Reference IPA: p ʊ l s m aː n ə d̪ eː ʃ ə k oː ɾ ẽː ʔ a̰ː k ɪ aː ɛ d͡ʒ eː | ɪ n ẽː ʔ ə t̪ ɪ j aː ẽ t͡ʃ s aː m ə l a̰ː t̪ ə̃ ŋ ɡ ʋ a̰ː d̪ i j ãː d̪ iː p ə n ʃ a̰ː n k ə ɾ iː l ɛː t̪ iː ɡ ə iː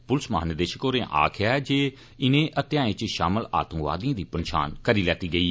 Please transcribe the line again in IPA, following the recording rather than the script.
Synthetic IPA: p ʊ l s m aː n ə d̪ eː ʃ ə k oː ɾ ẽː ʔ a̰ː kʰ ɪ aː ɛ d͡ʒ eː | ɪ n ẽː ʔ ə t̪ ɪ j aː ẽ t͡ʃ ʃ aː m ə l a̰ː t̪ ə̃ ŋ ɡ ʋ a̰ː d̪ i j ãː d̪ iː p ə n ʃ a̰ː n k ə ɾ iː l ɛː t̪ iː ɡ ə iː